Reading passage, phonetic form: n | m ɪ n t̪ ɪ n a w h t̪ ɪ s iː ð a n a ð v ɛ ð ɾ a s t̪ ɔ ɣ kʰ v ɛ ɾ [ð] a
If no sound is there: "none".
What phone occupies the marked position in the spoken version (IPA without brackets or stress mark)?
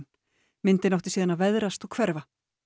v